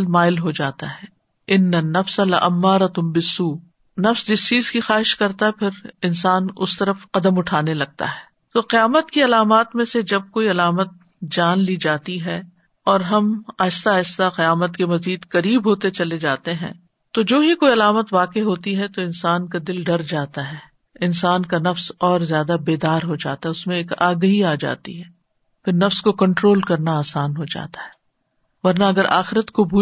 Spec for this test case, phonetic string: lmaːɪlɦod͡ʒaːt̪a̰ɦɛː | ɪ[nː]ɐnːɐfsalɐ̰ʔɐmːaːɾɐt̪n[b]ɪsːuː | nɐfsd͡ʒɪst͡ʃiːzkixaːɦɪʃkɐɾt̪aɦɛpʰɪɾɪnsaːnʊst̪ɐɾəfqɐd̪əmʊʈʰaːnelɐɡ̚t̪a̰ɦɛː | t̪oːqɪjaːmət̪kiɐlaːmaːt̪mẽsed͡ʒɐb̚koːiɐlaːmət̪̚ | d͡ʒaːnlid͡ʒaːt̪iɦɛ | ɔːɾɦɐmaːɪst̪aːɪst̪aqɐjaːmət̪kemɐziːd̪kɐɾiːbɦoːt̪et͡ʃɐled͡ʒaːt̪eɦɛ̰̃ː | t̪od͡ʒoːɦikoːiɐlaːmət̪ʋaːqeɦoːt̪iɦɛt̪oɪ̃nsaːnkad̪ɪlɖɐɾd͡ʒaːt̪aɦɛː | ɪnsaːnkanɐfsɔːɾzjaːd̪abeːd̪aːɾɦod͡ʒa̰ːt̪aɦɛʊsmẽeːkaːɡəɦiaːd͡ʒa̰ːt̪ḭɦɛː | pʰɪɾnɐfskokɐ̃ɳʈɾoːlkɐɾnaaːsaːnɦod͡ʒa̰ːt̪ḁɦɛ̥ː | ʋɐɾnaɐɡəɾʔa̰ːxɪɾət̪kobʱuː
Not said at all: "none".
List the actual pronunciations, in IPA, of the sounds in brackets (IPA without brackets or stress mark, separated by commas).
nː, b